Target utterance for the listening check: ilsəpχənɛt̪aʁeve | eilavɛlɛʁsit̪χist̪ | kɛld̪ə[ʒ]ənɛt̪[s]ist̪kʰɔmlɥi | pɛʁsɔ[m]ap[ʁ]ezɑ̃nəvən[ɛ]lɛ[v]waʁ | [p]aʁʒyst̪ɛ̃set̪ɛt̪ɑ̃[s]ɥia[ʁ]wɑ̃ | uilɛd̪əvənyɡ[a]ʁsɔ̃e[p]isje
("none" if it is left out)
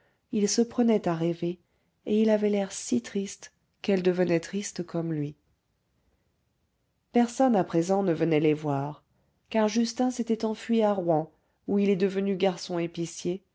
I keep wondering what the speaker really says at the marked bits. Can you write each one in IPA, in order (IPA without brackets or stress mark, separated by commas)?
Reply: v, χ, n, χ, ɛ, v, k, f, ʁ, a, p